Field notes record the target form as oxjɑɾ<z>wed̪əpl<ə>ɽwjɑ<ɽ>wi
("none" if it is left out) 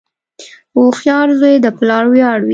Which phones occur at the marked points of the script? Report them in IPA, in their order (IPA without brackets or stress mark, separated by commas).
z, ɑ, ɽ